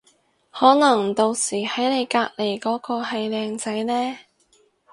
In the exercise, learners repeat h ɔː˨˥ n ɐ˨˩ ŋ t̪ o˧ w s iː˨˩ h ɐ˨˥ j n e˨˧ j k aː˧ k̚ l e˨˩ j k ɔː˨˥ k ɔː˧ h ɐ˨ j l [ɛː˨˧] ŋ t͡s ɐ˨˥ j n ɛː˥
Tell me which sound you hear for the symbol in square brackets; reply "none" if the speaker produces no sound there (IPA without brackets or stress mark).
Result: ɛː˨˧